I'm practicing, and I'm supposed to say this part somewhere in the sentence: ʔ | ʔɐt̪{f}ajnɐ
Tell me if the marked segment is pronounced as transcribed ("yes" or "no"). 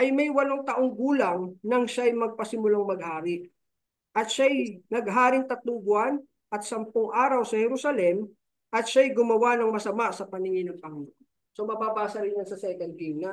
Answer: no